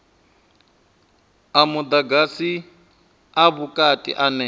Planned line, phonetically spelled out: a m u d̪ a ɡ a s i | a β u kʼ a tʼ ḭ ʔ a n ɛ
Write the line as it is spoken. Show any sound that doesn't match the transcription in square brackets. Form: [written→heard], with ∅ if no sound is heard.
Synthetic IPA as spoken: a m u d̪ a ɡ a s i | a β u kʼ a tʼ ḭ ʔ a n ɛ